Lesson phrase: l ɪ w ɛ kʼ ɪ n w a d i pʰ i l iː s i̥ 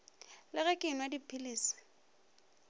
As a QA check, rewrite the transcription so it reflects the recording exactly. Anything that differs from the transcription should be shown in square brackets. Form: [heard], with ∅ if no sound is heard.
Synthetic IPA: l ɪ [ɣ] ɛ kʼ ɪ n w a d i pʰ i l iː s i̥